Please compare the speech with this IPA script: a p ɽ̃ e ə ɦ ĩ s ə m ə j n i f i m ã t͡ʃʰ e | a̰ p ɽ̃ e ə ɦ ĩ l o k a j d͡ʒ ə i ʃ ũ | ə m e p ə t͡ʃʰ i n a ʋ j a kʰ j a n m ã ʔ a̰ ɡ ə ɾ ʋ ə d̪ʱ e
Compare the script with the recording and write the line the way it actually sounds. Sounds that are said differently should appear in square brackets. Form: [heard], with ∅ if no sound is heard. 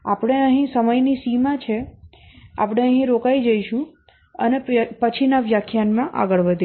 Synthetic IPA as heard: a p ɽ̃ e ə ɦ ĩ s ə m ə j n i [s] i m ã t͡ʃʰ e | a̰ p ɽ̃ e ə ɦ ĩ [ɾ] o k a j d͡ʒ ə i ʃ ũ | ə [n] e p ə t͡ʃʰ i n a ʋ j a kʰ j a n m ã ʔ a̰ ɡ ə [ɭ] ʋ ə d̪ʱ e